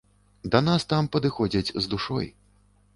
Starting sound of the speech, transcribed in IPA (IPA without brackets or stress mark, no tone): d̪